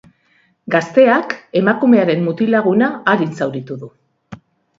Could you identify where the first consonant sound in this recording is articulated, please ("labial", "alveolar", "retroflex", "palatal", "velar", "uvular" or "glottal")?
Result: velar